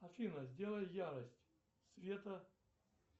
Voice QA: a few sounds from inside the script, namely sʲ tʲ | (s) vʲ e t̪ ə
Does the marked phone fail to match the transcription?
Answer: no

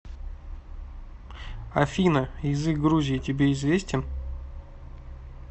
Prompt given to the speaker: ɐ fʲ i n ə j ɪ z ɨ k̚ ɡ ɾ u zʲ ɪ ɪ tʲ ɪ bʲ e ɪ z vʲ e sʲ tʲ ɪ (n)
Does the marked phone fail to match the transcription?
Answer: no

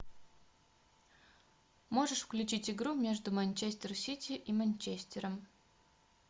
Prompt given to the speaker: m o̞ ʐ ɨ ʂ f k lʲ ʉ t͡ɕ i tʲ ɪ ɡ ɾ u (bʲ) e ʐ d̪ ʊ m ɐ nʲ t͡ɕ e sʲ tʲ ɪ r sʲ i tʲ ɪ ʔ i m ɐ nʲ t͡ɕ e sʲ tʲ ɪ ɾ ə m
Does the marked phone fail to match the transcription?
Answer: yes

